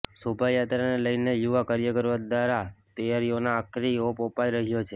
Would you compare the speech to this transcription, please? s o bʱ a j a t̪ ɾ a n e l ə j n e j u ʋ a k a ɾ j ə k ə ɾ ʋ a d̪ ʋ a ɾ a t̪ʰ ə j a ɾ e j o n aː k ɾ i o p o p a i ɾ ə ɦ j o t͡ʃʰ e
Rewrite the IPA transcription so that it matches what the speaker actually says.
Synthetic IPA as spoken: s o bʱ a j a t̪ ɾ a n e l ə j n e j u ʋ a k a ɾ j ə k ə ɾ ʋ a d̪ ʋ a ɾ a t̪ ə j a ɾ i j o n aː k ɾ i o p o p a i ɾ ə ɦ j o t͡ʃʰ e